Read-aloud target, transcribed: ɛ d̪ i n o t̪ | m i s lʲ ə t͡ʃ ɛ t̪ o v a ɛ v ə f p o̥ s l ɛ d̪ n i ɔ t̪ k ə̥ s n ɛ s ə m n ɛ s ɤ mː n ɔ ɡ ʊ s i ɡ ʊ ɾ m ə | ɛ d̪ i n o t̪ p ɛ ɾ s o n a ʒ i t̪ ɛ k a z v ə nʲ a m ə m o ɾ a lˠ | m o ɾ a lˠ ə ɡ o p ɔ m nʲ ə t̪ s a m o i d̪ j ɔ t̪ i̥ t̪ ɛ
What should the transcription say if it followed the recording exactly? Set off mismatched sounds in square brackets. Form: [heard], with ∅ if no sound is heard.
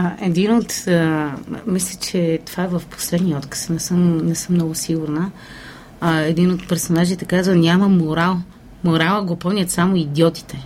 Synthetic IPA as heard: ɛ d̪ i n o t̪ | m i s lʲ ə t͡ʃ ɛ t̪ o v a ɛ v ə f p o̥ s l ɛ d̪ n i ɔ t̪ k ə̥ s n ɛ s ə m n ɛ s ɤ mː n ɔ ɡ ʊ s i ɡ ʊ ɾ [n] ə | ɛ d̪ i n o t̪ p ɛ ɾ s o n a ʒ i t̪ ɛ k a z v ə nʲ a m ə m o ɾ a lˠ | m o ɾ a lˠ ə ɡ o p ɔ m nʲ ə t̪ s a m o i d̪ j ɔ t̪ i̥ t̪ ɛ